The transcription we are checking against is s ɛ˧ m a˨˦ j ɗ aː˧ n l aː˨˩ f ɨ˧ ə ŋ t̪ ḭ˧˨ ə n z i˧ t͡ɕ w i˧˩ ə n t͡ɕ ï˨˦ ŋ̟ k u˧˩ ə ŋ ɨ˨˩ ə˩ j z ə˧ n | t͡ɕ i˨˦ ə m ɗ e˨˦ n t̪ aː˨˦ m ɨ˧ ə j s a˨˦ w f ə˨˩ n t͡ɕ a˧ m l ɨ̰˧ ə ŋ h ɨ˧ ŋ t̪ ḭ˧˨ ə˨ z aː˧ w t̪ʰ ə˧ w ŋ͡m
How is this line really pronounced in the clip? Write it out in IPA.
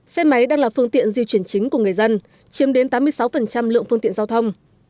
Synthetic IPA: s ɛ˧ m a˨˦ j ɗ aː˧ ŋ l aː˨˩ f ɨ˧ ə ŋ t̪ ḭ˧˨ ə n z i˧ t͡ɕ w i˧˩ ə n t͡ɕ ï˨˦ ŋ̟ k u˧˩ ə ŋ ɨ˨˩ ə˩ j z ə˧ n | t͡ɕ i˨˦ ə m ɗ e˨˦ n t̪ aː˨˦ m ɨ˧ ə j s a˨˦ w f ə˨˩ n t͡ɕ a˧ m l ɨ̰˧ ə ŋ f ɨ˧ ŋ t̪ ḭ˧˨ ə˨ z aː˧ w t̪ʰ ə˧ w ŋ͡m